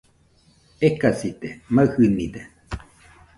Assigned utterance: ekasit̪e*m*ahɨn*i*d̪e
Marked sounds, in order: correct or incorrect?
correct, correct

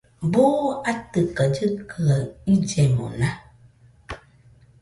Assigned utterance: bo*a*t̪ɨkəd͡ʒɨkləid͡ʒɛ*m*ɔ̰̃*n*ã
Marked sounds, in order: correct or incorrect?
correct, correct, correct

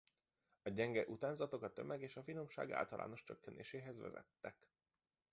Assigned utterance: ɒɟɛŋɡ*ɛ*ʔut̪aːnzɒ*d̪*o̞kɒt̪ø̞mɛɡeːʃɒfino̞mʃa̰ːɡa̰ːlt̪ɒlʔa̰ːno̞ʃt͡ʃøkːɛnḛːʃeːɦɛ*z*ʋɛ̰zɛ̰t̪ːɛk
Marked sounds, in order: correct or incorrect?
correct, incorrect: t̪, correct

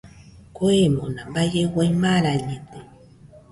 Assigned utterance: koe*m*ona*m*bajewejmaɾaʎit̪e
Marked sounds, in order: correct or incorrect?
correct, correct

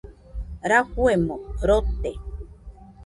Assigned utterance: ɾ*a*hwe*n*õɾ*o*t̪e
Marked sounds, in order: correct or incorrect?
correct, incorrect: m, correct

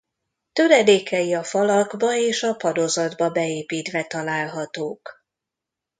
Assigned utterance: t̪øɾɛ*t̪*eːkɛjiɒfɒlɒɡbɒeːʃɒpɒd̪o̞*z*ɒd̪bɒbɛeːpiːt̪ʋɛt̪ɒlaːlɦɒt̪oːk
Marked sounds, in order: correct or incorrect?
incorrect: d̪, correct

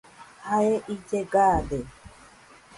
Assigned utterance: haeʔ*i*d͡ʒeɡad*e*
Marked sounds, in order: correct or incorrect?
correct, correct

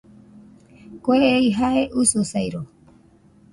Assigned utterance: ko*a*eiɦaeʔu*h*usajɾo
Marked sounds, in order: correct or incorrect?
incorrect: e, incorrect: s

